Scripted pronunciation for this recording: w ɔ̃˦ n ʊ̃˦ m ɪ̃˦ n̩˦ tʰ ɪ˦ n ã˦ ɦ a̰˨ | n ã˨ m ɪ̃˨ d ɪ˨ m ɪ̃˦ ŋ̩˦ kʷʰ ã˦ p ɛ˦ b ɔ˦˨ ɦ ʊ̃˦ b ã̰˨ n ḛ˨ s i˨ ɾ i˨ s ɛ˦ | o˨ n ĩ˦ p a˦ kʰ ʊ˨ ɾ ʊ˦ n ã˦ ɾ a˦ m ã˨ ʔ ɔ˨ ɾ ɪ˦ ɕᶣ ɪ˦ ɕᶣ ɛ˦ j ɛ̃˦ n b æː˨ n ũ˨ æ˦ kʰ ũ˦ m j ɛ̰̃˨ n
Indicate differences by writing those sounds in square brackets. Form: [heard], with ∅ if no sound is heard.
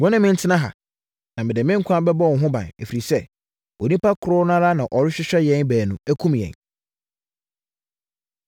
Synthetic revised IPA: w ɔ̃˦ n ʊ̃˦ m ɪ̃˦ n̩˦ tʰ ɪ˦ n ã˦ ɦ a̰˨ | n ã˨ m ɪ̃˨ d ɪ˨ m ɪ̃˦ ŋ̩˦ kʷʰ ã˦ [b] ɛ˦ b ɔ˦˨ ɦ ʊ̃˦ b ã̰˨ n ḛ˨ [f] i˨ ɾ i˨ s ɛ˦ | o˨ n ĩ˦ p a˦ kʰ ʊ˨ ɾ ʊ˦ n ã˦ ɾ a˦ [n] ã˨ ʔ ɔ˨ ɾ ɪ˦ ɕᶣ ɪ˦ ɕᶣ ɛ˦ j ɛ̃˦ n b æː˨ n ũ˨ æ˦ kʰ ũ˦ m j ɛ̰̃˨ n